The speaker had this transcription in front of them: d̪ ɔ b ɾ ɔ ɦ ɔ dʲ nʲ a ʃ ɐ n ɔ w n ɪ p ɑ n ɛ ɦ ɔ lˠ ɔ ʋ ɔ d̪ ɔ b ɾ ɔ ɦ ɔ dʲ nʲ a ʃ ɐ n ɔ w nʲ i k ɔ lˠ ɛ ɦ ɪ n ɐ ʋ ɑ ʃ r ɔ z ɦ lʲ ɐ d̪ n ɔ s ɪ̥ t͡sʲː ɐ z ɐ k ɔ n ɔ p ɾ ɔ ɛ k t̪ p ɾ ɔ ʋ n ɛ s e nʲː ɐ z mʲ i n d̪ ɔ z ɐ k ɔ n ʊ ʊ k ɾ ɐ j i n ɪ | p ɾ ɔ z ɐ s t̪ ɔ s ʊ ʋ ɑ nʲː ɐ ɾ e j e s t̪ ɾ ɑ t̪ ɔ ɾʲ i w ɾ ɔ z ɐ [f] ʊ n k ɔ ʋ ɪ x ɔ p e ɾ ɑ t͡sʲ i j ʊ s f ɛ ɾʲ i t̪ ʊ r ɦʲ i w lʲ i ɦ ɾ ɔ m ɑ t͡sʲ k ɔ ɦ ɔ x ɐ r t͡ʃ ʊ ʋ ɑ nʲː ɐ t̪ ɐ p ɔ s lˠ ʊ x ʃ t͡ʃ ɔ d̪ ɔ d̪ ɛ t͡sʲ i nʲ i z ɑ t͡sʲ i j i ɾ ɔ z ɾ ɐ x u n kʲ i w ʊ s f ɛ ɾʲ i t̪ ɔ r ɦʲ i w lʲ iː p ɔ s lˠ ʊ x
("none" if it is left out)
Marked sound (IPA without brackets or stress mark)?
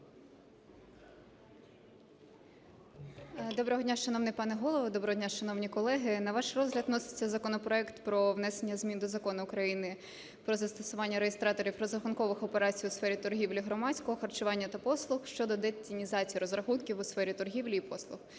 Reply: x